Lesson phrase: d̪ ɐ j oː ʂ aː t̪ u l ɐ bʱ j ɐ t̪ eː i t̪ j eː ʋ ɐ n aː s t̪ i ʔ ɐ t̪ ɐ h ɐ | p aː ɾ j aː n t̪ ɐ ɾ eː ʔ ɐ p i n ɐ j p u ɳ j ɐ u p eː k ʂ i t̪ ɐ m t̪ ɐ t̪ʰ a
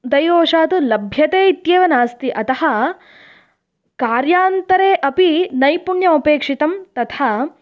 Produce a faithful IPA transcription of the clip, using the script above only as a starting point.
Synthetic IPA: d̪ ɐ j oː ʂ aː t̪ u l ɐ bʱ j ɐ t̪ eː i t̪ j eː ʋ ɐ n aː s t̪ i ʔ ɐ t̪ ɐ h ɐ | k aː ɾ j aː n t̪ ɐ ɾ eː ʔ ɐ p i n ɐ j p u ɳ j ɐ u p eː k ʂ i t̪ ɐ m t̪ ɐ t̪ʰ a